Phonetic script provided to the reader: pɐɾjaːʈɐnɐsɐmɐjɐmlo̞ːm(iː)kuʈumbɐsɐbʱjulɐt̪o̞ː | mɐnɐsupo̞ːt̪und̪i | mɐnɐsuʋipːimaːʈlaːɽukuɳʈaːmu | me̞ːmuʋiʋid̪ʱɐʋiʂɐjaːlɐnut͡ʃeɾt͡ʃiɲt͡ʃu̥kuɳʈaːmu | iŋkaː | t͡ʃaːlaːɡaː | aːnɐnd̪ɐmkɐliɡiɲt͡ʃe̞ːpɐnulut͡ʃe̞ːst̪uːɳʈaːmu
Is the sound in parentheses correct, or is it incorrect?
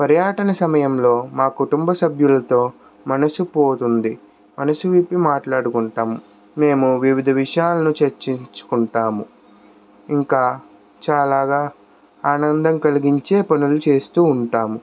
incorrect